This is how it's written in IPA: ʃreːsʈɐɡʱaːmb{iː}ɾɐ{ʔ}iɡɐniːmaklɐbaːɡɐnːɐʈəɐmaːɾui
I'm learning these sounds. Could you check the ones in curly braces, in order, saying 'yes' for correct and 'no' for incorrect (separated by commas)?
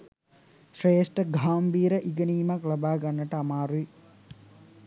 yes, yes